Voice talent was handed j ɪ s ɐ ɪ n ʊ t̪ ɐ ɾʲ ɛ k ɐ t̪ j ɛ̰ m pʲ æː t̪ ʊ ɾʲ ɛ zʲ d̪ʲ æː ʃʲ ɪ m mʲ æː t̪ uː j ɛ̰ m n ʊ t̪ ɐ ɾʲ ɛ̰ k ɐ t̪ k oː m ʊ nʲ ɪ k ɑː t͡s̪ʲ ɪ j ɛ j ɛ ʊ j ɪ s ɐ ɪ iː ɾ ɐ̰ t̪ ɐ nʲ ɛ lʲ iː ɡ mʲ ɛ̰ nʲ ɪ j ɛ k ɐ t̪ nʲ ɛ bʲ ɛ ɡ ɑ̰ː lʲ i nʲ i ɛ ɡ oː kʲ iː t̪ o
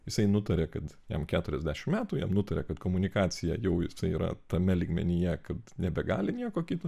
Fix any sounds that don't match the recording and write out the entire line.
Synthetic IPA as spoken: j ɪ s ɐ ɪ n ʊ t̪ ɐ ɾʲ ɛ k ɐ t̪ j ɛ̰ m kʲ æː t̪ ʊ ɾʲ ɛ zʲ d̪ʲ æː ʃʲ ɪ m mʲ æː t̪ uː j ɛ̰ m n ʊ t̪ ɐ ɾʲ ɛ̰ k ɐ t̪ k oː m ʊ nʲ ɪ k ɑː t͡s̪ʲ ɪ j ɛ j ɛ ʊ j ɪ s ɐ ɪ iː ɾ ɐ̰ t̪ ɐ mʲ ɛ lʲ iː ɡ mʲ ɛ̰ nʲ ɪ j ɛ k ɐ t̪ nʲ ɛ bʲ ɛ ɡ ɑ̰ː lʲ ɪ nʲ i ɛ k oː kʲ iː t̪ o